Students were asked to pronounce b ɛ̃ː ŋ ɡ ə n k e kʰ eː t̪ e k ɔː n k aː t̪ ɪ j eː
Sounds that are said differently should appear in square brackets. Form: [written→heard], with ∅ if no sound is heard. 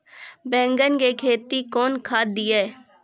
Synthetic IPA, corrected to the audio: b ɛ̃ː ŋ ɡ ə n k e kʰ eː t̪ [e→i] k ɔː n [k→kʰ] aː [t̪→d̪] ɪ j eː

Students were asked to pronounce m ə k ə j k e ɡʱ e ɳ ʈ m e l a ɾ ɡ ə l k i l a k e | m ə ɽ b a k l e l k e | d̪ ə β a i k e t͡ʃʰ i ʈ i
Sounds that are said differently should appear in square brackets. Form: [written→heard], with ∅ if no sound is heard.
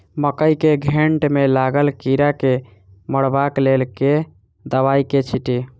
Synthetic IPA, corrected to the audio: m ə k ə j k e ɡʱ e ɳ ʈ m e l a [ɾ→∅] ɡ ə l k i [l→ɾ] a k e | m ə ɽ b a k l e l k e | d̪ ə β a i k e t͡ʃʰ i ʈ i

